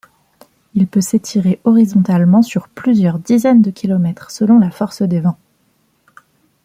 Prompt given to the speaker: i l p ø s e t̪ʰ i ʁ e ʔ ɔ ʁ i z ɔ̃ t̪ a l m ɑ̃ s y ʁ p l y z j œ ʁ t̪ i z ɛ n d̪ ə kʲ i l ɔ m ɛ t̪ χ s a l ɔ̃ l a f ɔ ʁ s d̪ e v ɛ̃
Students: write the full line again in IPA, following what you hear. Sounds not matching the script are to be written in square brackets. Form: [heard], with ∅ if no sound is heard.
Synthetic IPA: i l p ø s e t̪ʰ i ʁ e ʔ ɔ ʁ i z ɔ̃ t̪ a l m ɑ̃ s y ʁ p l y z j œ ʁ [d̪] i z ɛ n d̪ ə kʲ i l ɔ m ɛ t̪ χ s [ə] l ɔ̃ l a f ɔ ʁ s d̪ e v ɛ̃